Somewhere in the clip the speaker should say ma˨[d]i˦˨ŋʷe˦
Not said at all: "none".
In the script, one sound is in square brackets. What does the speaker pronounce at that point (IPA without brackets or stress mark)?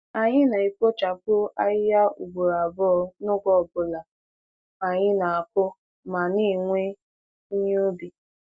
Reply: n